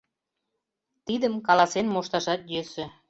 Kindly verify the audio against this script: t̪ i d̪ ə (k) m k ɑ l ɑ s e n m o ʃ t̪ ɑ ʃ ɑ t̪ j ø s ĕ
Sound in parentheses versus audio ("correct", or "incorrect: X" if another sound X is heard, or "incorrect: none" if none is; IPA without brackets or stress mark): incorrect: none